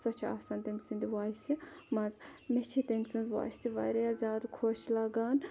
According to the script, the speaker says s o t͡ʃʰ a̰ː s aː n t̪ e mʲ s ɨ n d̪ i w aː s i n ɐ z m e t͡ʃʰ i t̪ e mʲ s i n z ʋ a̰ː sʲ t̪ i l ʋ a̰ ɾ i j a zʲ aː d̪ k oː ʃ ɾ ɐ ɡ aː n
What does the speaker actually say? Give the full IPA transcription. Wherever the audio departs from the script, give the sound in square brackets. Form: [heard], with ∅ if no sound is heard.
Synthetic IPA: s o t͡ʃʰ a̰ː s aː n t̪ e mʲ s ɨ n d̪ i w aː s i [m] ɐ z m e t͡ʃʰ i t̪ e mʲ s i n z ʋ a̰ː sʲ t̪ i [∅] ʋ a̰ ɾ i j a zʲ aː d̪ [kʰ] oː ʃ [l] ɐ ɡ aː n